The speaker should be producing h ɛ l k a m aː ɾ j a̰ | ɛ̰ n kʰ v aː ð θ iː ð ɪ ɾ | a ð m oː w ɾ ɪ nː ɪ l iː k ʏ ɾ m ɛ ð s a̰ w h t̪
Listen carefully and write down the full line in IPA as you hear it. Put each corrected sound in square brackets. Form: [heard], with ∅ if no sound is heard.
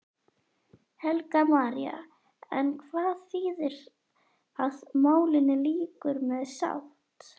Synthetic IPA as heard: h ɛ l k a m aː ɾ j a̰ | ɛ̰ n kʰ v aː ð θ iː ð ɪ ɾ | a ð m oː w [l] ɪ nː ɪ l iː k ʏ ɾ m ɛ ð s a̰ w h t̪